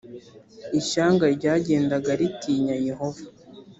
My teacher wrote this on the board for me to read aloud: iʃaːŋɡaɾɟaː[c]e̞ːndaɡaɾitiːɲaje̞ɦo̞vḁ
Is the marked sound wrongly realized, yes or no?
yes